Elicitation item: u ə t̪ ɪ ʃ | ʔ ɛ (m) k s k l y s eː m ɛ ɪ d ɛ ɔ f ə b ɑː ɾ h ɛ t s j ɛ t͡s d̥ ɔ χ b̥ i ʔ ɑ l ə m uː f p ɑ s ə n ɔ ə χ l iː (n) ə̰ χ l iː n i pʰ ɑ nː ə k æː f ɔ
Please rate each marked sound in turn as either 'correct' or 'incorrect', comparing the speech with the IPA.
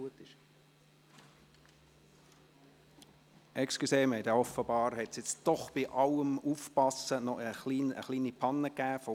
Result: incorrect: none, correct

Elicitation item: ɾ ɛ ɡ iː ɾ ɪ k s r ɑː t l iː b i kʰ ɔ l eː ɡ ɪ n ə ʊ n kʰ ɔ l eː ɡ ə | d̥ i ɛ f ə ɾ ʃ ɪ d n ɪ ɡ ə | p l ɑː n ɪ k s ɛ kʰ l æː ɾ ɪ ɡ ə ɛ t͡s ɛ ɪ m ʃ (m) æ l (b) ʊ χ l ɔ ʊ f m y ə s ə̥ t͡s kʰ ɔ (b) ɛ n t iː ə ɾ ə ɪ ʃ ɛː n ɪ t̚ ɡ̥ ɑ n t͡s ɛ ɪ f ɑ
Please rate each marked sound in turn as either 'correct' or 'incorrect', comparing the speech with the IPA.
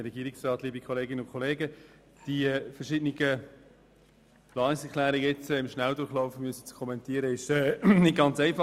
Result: incorrect: n, incorrect: d, incorrect: m

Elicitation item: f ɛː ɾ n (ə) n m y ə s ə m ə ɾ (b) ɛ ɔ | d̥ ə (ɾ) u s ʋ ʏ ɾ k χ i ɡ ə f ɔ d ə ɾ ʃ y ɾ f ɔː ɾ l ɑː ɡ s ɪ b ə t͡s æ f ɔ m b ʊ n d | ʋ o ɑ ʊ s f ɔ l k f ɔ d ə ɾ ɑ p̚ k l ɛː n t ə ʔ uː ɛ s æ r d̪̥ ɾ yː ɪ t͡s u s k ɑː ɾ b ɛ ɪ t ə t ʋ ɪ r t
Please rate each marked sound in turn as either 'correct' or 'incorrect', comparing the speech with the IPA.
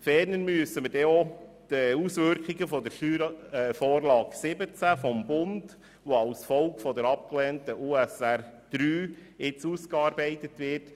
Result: correct, incorrect: d, incorrect: none

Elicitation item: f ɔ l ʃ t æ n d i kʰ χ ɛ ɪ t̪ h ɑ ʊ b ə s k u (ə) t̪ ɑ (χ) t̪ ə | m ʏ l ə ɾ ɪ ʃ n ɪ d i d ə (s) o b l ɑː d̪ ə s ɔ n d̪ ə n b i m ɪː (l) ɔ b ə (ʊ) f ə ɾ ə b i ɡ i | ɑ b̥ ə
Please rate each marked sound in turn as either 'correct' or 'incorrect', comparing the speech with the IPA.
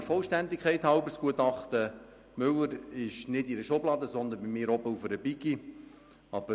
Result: correct, correct, incorrect: ʃ, incorrect: ɾ, incorrect: u

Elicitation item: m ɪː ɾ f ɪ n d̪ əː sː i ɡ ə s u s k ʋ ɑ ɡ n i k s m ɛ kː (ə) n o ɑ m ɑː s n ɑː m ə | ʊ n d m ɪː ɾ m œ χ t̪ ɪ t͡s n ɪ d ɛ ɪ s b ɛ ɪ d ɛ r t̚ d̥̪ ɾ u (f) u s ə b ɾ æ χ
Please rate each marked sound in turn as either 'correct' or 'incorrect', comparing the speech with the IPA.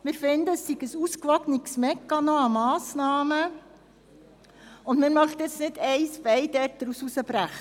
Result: incorrect: ɑ, incorrect: s

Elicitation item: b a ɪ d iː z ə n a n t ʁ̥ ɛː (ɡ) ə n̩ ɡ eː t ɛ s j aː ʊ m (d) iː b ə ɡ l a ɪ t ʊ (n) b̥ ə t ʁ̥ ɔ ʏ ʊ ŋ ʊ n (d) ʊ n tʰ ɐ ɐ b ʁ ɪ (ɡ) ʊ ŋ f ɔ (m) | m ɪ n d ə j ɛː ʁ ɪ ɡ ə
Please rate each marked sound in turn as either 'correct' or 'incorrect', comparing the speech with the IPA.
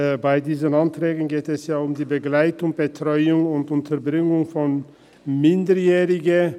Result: correct, correct, incorrect: ŋ, incorrect: t, incorrect: ŋ, incorrect: n

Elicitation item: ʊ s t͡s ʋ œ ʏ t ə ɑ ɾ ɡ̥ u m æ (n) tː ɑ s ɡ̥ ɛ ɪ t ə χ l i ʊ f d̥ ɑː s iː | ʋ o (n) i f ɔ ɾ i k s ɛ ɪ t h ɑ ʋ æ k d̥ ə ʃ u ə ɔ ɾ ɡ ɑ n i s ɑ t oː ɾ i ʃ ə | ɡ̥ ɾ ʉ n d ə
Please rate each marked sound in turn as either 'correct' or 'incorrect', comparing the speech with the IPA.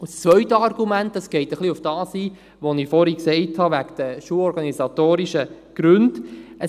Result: correct, correct

